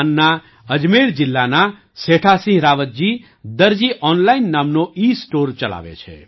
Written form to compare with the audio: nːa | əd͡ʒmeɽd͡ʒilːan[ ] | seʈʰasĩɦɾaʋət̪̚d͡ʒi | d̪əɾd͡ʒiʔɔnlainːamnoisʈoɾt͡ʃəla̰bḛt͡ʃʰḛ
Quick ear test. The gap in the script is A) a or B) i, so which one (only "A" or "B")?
A